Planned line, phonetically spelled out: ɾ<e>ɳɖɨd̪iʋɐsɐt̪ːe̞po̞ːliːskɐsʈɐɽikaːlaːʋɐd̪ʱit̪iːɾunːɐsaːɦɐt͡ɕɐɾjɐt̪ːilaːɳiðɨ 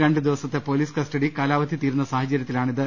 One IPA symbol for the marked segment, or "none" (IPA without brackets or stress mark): e